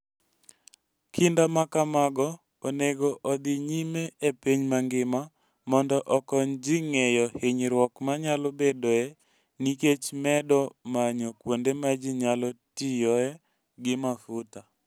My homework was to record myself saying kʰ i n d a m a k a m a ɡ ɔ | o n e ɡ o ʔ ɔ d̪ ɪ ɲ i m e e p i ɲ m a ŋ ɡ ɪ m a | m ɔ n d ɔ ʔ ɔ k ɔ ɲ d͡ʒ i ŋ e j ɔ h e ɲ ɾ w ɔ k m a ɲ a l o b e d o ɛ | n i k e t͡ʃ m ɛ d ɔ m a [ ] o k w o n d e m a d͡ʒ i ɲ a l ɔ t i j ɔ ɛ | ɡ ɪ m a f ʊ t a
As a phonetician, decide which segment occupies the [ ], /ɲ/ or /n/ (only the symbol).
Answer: ɲ